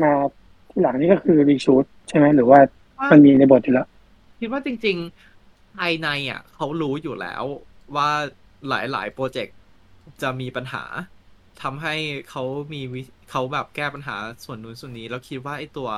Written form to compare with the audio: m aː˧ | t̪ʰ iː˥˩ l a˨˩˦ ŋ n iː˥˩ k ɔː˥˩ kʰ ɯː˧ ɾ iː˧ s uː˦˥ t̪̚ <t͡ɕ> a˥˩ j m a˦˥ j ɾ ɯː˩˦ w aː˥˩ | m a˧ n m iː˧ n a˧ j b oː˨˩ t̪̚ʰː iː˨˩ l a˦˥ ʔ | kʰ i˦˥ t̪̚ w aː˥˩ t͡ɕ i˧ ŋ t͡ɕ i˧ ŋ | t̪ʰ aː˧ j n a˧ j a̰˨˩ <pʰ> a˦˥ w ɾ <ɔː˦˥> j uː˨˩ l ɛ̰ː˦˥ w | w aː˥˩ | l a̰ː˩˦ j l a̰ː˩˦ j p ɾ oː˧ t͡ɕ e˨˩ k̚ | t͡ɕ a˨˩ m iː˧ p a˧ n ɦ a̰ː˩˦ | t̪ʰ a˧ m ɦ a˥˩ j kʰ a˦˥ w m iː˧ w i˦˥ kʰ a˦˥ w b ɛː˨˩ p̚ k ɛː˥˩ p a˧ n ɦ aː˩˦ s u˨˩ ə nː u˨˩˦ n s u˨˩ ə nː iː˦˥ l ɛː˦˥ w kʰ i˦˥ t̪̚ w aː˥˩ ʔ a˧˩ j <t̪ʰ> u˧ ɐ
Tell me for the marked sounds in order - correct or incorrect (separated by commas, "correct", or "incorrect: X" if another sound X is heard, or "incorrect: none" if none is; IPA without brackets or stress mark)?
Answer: incorrect: t͡ɕʰ, incorrect: kʰ, incorrect: uː˦˥, incorrect: t̪